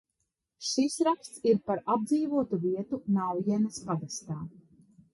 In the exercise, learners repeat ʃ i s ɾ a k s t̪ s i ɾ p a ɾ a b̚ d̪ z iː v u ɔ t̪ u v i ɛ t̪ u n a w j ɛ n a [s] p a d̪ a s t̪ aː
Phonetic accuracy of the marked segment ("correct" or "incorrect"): correct